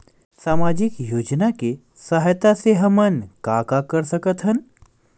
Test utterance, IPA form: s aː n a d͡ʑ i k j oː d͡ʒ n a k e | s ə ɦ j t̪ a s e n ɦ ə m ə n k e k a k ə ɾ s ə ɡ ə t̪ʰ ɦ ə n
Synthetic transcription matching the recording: s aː m a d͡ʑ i k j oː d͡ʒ n a k e | s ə ɦ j t̪ a s e ɦ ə m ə n k a k a k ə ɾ s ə k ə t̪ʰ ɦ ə n